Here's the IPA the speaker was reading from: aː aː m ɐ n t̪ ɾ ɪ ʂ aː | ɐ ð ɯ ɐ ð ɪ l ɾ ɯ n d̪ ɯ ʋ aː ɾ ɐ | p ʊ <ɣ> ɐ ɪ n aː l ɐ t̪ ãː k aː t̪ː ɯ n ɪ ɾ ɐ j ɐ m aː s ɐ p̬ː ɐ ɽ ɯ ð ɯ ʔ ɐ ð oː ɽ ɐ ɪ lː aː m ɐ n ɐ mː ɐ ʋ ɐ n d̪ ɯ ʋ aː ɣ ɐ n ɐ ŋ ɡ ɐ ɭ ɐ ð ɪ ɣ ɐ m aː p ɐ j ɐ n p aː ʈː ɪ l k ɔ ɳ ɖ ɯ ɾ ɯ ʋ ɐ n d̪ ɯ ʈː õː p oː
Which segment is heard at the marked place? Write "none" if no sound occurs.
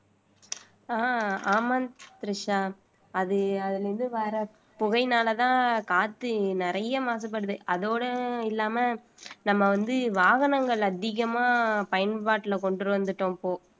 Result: ɣ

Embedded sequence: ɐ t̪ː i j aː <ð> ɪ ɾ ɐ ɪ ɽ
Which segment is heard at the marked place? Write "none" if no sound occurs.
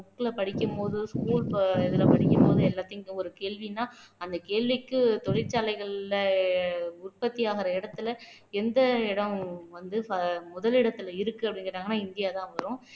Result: ɣ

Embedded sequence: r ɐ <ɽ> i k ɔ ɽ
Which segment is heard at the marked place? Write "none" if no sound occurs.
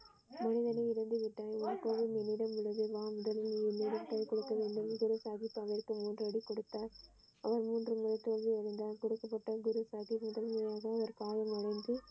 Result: ɽ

